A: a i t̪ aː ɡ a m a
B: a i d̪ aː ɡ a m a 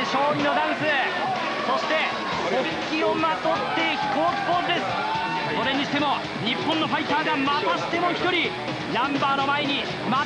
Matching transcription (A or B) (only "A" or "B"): A